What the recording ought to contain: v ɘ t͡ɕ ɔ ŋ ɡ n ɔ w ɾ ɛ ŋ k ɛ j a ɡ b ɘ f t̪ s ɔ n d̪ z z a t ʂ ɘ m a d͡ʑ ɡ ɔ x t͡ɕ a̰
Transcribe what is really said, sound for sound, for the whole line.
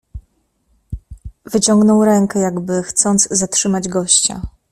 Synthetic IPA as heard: v ɘ t͡ɕ ɔ ŋ ɡ n ɔ w ɾ ɛ ŋ k ɛ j a ɡ b ɘ x t̪ s ɔ n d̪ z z a t ʂ ɘ m a d͡ʑ ɡ ɔ ɕ t͡ɕ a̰